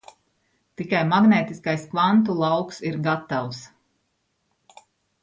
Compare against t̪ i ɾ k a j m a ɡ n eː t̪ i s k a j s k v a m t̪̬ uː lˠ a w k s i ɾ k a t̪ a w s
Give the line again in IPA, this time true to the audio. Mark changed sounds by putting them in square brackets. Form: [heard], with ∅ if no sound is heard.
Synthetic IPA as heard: t̪ i [∅] k a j m a ɡ n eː t̪ i s k a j s k v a [n] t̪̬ [u] lˠ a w k s i ɾ [ɡ] a t̪ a w s